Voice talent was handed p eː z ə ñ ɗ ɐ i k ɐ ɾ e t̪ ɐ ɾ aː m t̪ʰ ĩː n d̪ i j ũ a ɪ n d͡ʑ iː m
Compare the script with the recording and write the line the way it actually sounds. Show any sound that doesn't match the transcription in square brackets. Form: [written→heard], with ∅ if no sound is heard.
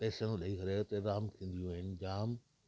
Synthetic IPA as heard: p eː [z→s] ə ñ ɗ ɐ i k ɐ ɾ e t̪ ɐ ɾ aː m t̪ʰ ĩː n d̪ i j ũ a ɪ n d͡ʑ [iː→aː] m